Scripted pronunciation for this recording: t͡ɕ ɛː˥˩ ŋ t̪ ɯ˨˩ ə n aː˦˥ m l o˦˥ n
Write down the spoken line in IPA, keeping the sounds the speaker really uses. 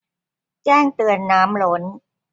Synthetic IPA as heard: t͡ɕ ɛː˥˩ ŋ t̪ ɯ˨˩ ə nː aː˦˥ m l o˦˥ n